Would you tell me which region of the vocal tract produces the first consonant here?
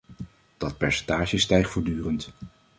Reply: tongue tip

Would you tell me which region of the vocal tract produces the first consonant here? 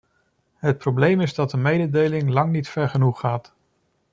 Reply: throat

